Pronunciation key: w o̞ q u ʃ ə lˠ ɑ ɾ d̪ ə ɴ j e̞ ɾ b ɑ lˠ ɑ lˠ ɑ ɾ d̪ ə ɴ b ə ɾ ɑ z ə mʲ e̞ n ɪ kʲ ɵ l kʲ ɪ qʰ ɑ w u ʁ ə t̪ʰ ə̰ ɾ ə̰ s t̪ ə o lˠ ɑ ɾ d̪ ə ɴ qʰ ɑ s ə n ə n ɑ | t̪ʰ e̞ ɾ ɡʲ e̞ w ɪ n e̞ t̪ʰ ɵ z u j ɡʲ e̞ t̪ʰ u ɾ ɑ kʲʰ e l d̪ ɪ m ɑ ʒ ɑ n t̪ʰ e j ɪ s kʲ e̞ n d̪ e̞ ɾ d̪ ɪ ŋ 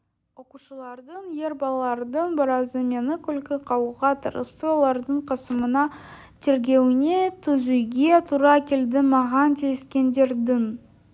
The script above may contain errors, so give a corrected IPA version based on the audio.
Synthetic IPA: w o̞ q u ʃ ə lˠ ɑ ɾ d̪ ə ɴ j e̞ ɾ b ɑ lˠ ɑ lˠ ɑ ɾ d̪ ə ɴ b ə ɾ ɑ z ə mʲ e̞ n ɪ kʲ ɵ l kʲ ɪ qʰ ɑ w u ʁ ɑ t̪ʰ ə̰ ɾ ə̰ s t̪ ə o lˠ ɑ ɾ d̪ ə ɴ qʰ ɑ s ə m ə n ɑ | t̪ʰ e̞ ɾ ɡʲ e̞ w ɪ n e̞ t̪ʰ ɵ z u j ɡʲ e̞ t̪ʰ u ɾ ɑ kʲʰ e l d̪ ɪ m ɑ ʁ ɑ n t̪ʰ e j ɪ s kʲ e̞ n d̪ e̞ ɾ d̪ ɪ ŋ